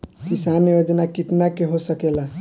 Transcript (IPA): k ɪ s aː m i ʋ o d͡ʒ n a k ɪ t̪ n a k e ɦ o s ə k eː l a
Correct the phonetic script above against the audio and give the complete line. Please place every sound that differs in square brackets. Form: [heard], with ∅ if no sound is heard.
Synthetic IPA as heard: k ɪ s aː [n] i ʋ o d͡ʒ n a k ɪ t̪ n a k e ɦ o s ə k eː l a